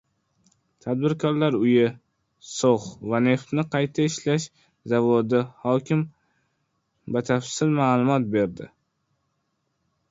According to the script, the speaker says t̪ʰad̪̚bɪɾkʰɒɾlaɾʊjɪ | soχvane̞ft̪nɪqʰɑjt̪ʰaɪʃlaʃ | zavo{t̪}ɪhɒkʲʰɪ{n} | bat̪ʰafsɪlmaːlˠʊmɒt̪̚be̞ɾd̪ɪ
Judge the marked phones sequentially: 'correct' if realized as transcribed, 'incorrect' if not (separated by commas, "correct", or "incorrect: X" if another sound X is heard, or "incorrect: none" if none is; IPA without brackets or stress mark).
incorrect: d̪, incorrect: m